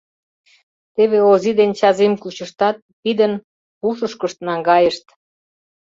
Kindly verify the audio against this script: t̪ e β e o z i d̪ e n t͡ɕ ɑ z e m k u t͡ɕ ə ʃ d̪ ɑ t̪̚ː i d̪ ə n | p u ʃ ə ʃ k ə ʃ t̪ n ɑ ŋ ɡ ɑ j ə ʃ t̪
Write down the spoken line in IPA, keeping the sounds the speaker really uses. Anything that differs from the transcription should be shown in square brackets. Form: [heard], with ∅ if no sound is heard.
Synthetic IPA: t̪ e β e o z i d̪ e n t͡ɕ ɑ z e m k u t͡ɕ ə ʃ [t̪] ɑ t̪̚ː i d̪ ə n | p u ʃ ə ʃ k ə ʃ t̪ n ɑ ŋ ɡ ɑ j ə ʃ t̪